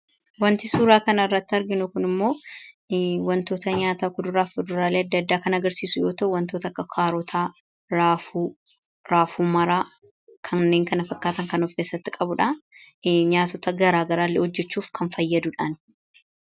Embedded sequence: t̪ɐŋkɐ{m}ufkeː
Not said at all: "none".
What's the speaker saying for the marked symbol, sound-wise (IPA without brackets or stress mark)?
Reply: n